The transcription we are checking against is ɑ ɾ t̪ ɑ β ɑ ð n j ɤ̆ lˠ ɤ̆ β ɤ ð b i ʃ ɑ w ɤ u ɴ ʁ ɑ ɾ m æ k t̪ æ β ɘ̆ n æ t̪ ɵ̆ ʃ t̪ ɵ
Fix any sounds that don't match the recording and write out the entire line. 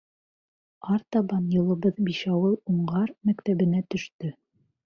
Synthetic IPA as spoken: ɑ ɾ t̪ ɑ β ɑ n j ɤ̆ lˠ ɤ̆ β ɤ ð b i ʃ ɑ w ɤ u ɴ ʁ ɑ ɾ m æ k t̪ æ β ɘ̆ n æ t̪ ɵ̆ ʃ t̪ ɵ